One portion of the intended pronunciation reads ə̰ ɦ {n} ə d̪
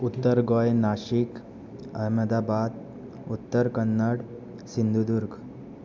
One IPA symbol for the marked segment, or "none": m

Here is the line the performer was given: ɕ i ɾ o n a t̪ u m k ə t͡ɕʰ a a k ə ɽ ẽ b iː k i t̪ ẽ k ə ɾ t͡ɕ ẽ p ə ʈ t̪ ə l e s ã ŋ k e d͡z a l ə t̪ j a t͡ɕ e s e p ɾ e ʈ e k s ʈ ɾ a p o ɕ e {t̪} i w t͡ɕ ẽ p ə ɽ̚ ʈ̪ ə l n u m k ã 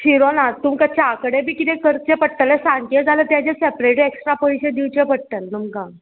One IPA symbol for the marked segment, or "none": d̪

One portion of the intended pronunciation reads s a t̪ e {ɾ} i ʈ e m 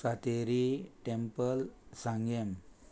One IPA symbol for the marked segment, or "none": ɾ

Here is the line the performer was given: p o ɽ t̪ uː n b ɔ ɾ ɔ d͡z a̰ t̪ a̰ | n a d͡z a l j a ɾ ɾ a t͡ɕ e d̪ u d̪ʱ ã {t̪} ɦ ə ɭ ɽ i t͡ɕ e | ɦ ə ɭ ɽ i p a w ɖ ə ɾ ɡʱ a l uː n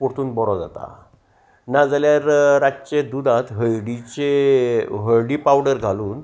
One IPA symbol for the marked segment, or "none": t̪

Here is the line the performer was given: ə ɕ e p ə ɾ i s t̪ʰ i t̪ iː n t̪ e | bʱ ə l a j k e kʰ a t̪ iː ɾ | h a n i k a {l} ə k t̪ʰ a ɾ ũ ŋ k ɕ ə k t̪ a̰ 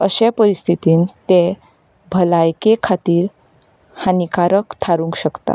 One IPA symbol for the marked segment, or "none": ɾ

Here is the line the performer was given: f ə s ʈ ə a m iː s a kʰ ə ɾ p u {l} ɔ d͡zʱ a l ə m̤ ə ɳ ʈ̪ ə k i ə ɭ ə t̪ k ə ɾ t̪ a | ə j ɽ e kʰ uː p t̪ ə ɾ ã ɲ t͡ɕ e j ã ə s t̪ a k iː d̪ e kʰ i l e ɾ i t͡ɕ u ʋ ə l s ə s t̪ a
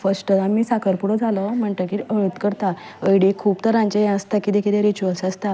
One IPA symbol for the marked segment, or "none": ɽ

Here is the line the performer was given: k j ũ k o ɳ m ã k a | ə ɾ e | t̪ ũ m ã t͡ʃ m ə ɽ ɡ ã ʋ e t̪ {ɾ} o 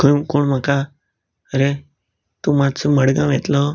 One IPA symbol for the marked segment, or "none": l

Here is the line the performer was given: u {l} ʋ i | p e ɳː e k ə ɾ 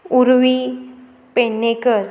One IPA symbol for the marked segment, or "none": ɾ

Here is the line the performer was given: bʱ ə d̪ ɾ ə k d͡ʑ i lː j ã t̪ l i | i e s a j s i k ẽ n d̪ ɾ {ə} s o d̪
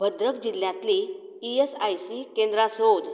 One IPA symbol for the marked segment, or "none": a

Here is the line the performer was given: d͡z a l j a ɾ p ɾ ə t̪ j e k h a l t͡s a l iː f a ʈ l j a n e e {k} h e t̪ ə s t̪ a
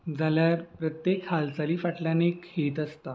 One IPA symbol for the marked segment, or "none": k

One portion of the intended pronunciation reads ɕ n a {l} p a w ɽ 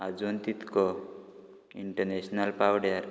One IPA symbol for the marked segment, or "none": l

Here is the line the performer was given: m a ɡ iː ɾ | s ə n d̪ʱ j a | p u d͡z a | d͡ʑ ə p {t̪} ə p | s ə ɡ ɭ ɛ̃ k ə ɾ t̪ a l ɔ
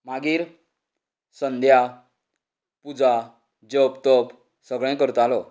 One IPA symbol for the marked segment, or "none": t̪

